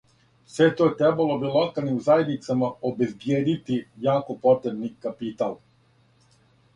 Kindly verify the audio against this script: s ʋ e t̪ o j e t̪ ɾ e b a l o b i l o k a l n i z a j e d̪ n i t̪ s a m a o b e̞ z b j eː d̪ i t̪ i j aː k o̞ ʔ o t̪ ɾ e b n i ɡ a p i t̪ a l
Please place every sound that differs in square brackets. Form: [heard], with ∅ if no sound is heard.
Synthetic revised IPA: s ʋ e t̪ o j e t̪ ɾ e b a l o b i l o k a l n i z a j e d̪ n i t̪ s a m a o b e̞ z b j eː d̪ i t̪ i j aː k o̞ [p] o t̪ ɾ e b n i [k] a p i t̪ a l